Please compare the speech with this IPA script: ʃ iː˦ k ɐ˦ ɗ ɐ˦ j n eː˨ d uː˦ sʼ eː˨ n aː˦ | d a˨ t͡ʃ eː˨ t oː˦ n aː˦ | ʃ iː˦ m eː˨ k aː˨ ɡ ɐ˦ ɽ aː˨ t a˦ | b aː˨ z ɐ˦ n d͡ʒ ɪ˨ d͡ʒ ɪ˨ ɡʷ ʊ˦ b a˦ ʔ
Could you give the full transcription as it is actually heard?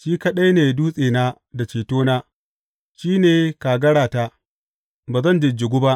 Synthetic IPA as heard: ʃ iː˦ k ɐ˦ ɗ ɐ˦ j n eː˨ d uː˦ sʼ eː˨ n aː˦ | d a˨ t͡ʃ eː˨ t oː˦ n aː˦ | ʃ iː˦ n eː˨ k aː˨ ɡ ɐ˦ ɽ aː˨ t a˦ | b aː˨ z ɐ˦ n d͡ʒ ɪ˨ d͡ʒ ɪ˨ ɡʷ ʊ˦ b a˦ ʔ